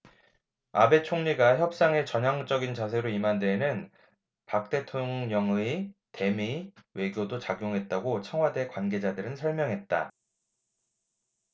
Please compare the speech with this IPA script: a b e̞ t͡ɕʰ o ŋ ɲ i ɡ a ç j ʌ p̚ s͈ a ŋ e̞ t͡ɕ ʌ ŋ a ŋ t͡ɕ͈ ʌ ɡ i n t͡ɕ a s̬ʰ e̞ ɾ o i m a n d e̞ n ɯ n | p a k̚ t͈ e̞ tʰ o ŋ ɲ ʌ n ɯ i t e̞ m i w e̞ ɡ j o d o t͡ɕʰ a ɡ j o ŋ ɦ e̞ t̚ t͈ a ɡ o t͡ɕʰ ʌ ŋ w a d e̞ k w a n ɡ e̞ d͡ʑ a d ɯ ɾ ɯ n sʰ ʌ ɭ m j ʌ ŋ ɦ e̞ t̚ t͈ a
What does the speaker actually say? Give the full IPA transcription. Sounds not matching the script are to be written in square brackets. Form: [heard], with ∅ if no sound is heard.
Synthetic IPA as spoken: a b e̞ t͡ɕʰ o ŋ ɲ i ɡ a ç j ʌ p̚ s͈ a ŋ e̞ t͡ɕ ʌ [ɲ] a ŋ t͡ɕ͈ ʌ ɡ i n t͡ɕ a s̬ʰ e̞ ɾ o i m a n d e̞ n ɯ n | p a k̚ t͈ e̞ tʰ o ŋ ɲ ʌ [ŋ] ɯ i t e̞ m i w e̞ ɡ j o d o [t͡ɕ] a ɡ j o ŋ ɦ e̞ t̚ t͈ a ɡ o t͡ɕʰ ʌ ŋ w a d e̞ k w a n ɡ e̞ d͡ʑ a d ɯ ɾ ɯ n sʰ ʌ ɭ m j ʌ ŋ ɦ e̞ t̚ t͈ a